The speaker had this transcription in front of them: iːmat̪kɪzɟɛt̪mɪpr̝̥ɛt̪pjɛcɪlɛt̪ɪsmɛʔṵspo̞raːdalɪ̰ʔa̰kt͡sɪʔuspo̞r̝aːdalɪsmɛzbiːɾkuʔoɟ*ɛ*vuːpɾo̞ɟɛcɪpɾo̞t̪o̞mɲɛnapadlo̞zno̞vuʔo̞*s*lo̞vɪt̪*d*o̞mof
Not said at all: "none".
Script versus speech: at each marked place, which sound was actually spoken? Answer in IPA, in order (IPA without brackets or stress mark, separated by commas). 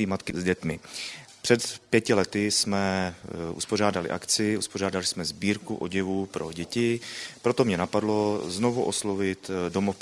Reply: ɛ, s, d